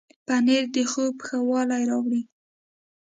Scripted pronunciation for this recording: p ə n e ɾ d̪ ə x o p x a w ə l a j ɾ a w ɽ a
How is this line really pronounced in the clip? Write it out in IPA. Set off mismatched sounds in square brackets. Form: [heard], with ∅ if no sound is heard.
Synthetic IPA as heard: p [a] n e ɾ d̪ ə x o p x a w [ɑ] l a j ɾ [ɑ] w ɽ [i]